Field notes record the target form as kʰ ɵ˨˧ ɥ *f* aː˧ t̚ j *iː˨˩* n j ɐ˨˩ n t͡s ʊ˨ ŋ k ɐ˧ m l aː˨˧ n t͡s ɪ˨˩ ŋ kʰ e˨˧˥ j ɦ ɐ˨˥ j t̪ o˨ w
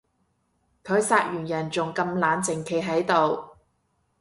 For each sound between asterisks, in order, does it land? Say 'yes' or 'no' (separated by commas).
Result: no, no